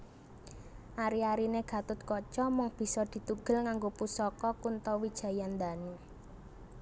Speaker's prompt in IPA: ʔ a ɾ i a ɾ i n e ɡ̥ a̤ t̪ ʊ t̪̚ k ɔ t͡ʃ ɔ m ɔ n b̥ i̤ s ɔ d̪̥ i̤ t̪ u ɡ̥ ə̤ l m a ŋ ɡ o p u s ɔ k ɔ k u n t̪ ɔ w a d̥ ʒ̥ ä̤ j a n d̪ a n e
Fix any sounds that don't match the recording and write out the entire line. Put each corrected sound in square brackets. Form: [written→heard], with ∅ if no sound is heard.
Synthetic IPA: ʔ a ɾ i a ɾ i n e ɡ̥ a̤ t̪ ʊ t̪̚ k ɔ t͡ʃ ɔ m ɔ [n→ŋ] b̥ i̤ s ɔ d̪̥ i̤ t̪ u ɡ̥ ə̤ l [m→ŋ] a ŋ ɡ o p u s ɔ k ɔ k u n t̪ ɔ w [a→i] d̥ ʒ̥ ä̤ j a n d̪ a n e